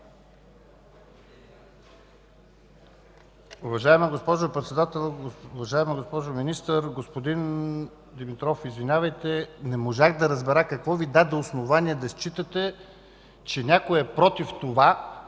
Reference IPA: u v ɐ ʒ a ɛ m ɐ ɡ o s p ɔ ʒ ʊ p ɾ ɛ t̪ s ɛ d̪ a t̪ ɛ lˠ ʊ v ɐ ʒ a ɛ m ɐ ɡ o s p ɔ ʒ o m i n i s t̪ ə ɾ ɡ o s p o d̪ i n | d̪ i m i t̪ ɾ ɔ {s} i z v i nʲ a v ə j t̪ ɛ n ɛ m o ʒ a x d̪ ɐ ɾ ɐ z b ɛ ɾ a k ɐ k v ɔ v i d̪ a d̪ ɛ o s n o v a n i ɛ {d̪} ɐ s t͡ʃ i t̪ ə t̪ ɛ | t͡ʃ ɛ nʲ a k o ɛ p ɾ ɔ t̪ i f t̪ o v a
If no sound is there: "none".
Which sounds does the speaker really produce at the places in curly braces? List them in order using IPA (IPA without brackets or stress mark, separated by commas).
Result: f, d̪